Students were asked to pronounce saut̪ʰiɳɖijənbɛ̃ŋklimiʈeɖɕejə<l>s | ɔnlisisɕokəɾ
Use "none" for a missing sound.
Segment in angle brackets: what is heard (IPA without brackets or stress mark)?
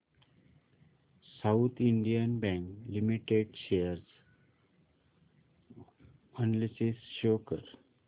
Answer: ɾ